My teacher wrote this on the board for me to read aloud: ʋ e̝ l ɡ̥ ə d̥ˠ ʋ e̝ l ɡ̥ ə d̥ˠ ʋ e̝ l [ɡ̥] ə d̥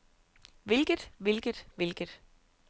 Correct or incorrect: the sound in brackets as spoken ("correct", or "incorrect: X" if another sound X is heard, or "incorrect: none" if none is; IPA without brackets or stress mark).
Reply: correct